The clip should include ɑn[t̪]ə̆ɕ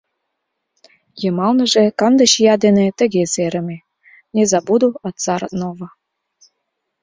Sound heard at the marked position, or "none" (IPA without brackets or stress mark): d̪